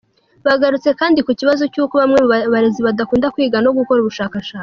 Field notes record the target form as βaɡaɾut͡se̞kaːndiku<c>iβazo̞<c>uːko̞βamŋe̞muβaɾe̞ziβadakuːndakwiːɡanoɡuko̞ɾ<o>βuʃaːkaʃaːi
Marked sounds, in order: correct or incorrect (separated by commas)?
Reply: correct, correct, incorrect